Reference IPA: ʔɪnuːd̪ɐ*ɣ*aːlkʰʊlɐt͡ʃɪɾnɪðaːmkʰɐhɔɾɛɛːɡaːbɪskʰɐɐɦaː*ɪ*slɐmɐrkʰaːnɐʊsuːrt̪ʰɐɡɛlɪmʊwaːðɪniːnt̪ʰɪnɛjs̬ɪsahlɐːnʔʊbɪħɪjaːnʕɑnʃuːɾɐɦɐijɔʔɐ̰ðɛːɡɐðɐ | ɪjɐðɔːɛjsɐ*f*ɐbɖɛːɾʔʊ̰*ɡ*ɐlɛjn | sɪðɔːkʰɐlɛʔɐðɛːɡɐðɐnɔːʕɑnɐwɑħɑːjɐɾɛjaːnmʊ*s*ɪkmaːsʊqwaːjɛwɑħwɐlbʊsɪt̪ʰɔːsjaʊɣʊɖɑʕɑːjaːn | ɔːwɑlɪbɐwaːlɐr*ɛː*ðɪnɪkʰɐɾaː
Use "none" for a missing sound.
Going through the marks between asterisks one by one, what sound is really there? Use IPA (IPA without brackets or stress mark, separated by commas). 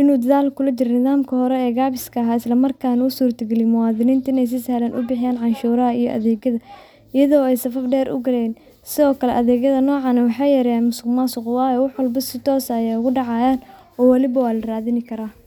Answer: ð, ɪ, f, ɡ, s, aː